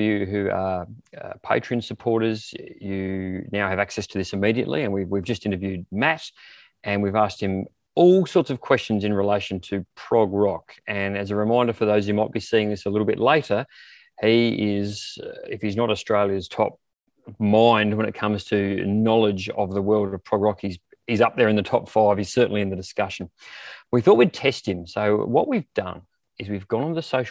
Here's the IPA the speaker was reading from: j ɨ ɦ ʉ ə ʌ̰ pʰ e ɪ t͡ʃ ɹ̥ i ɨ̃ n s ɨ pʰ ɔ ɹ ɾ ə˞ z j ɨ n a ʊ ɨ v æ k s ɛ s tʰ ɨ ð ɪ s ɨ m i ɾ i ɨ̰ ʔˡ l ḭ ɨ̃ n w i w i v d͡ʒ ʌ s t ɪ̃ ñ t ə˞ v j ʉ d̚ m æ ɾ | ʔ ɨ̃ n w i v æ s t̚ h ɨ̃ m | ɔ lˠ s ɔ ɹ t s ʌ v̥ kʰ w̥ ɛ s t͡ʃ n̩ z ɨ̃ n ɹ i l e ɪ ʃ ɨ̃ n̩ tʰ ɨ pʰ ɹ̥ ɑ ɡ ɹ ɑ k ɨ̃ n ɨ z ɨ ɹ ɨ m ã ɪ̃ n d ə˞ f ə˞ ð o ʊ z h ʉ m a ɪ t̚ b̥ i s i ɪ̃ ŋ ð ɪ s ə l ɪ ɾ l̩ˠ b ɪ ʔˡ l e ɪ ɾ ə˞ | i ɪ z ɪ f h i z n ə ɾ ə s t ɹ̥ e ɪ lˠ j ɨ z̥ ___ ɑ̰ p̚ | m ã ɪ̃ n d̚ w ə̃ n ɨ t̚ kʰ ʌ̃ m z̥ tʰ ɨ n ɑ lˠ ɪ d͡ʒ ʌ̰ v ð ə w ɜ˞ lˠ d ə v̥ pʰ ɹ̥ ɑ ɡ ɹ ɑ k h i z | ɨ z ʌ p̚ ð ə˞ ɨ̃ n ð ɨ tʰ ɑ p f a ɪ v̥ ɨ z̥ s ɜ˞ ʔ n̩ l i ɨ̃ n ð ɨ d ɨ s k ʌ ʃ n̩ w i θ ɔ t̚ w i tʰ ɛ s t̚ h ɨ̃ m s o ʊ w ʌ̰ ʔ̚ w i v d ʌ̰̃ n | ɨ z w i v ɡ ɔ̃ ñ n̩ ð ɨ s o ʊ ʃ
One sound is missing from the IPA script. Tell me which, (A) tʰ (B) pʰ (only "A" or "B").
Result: A